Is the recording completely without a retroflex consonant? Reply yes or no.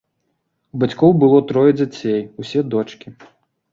no